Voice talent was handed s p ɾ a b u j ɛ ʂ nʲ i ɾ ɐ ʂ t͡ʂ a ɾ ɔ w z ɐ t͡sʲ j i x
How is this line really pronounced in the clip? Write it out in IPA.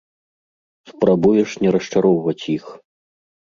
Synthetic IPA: s p ɾ a b u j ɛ ʂ nʲ ɛ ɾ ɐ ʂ t͡ʂ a ɾ ɔ w v ɐ t͡sʲ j i x